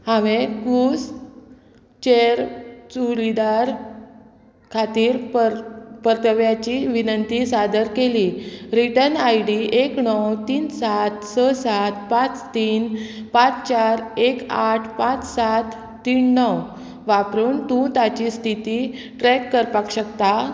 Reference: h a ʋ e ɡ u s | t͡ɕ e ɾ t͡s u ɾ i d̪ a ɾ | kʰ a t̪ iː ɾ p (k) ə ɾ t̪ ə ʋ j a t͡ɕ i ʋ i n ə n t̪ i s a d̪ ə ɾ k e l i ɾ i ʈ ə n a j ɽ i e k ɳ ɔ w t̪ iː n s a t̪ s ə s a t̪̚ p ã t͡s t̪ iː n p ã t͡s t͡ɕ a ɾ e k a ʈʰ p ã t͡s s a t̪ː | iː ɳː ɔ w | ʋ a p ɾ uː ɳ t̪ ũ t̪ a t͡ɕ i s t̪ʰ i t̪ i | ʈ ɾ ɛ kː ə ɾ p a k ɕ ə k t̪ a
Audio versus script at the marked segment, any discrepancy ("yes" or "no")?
yes